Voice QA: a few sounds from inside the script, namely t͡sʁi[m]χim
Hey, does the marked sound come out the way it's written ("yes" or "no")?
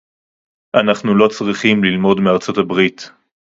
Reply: no